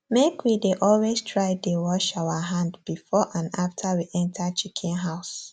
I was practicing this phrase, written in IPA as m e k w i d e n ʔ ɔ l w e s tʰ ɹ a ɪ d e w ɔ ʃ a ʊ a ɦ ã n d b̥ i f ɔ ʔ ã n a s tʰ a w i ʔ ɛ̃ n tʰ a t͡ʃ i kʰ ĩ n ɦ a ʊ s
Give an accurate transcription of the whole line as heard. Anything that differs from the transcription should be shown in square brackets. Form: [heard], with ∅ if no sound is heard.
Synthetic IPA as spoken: m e k w i d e [∅] ʔ ɔ l w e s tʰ ɹ a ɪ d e w ɔ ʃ a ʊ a ɦ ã n d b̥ i f ɔ ʔ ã n a [f] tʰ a w i ʔ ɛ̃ n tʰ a t͡ʃ i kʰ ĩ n ɦ a ʊ s